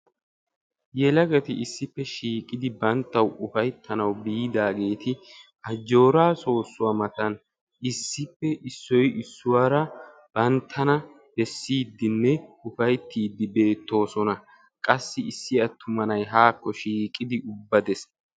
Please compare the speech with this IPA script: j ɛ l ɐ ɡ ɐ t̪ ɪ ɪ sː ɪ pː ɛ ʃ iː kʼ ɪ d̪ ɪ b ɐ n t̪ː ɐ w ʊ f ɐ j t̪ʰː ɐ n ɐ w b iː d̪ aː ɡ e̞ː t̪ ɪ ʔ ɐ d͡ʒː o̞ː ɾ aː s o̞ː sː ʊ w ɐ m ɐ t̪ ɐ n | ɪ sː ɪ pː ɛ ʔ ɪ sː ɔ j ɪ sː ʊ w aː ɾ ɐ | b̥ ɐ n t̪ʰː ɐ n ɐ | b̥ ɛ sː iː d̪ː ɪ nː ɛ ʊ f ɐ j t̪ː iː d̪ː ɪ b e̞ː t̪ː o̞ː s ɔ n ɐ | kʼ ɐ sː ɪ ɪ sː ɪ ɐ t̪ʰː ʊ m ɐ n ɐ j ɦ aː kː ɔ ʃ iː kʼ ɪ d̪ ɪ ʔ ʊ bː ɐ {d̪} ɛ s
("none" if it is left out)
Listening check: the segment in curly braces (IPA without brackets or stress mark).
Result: d̪